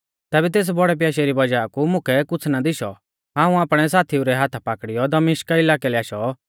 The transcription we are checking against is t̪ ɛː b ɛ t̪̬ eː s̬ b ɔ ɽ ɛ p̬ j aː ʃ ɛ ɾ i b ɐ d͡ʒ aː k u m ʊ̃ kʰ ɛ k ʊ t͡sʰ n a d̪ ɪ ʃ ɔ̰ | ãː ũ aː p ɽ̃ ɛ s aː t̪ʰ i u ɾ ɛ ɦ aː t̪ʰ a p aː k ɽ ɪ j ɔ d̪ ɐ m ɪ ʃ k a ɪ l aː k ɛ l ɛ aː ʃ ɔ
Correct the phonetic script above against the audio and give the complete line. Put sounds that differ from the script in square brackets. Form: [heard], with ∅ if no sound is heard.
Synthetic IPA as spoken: t̪ ɛː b ɛ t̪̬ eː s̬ b ɔ ɽ ɛ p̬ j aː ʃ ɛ ɾ i b ɐ d͡ʒ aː k u m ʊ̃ kʰ ɛ k ʊ t͡sʰ n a d̪ ɪ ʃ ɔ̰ | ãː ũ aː p ɽ̃ ɛ s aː t̪ʰ i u ɾ ɛ ɦ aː t̪ʰ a p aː k ɽ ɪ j ɔ d̪ ɐ m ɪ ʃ k a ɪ l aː k ɛ l ɛ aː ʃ ɔ